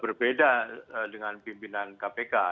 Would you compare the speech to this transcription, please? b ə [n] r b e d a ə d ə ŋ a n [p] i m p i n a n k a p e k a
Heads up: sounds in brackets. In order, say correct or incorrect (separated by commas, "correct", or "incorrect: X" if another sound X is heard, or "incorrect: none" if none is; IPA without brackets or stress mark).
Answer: incorrect: none, correct